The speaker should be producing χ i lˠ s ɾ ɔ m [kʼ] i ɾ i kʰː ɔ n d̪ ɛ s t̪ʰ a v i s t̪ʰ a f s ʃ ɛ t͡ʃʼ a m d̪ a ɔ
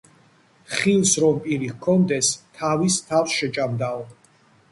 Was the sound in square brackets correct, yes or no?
no